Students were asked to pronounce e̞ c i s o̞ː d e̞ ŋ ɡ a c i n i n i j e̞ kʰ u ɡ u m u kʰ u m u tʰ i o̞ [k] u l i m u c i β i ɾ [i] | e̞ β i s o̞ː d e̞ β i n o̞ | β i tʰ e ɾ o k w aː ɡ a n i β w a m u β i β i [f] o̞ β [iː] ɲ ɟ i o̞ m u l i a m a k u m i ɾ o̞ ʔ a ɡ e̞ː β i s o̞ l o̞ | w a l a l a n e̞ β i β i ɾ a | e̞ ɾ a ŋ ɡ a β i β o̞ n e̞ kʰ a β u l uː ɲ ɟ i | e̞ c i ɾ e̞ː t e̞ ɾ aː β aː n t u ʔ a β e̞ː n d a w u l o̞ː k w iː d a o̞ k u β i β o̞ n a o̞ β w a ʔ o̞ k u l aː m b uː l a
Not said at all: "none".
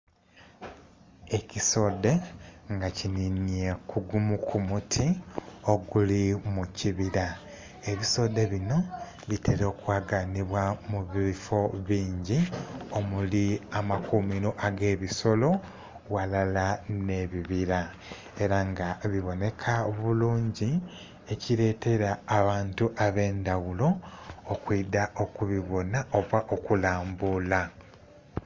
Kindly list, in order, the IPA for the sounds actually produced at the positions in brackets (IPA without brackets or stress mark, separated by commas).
ɡ, a, f, iː